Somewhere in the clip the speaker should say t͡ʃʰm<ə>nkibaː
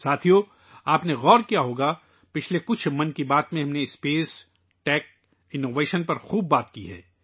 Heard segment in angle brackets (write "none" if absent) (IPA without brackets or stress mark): ɐ